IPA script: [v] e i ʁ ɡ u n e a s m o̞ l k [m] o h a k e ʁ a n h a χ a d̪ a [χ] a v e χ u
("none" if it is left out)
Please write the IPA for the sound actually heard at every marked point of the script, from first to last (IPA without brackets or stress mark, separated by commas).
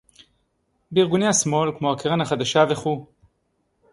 b, m, ʃ